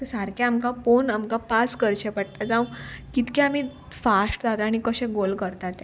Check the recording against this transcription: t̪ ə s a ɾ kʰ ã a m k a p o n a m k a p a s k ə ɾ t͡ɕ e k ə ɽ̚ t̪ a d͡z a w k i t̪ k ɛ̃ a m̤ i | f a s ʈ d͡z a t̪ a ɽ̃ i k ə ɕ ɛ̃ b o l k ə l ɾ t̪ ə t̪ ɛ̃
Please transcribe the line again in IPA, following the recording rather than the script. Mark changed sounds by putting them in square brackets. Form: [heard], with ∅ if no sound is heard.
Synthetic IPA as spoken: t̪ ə s a ɾ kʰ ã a m k a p o n a m k a p a s k ə ɾ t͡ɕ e [p] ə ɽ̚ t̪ a d͡z a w k i t̪ k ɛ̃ a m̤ i | f a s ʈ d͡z a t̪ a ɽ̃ i k ə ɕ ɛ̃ [ɡ] o l k ə [∅] ɾ t̪ [a] t̪ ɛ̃